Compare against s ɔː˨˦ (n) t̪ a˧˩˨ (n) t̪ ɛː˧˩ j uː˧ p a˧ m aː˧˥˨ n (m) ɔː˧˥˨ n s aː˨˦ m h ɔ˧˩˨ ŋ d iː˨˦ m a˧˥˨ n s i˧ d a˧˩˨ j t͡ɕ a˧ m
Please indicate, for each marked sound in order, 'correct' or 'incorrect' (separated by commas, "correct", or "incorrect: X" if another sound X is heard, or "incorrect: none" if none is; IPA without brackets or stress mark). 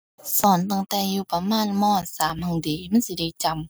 correct, incorrect: ŋ, correct